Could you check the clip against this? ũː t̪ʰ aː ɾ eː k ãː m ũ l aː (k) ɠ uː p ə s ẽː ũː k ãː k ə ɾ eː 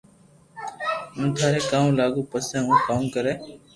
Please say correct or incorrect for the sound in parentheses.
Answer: incorrect